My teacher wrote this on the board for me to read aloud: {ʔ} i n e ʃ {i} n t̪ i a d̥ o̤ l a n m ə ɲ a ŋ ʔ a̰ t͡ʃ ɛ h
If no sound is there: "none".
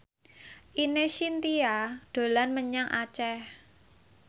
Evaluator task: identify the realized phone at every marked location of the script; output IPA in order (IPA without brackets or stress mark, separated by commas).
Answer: ʔ, i